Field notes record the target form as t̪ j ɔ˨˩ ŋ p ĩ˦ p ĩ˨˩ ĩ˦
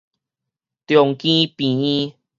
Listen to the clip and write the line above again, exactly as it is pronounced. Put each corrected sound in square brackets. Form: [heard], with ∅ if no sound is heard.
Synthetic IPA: t̪ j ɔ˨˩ ŋ [k] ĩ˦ p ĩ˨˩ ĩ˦